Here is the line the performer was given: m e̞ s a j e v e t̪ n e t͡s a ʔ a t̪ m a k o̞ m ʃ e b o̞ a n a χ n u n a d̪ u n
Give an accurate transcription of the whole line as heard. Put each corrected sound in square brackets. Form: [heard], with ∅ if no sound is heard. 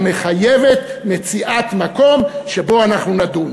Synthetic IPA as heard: m e̞ [χ] a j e v e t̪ [m] e t͡s [i] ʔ a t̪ m a k o̞ m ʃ e b o̞ a n a χ n u n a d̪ u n